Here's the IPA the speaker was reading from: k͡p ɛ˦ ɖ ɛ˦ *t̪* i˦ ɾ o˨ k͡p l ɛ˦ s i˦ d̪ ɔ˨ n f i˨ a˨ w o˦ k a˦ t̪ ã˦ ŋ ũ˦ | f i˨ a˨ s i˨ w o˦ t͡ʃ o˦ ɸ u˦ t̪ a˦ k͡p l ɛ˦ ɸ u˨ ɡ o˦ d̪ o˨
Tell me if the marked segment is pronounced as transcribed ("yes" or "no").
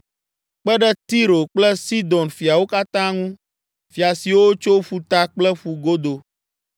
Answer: yes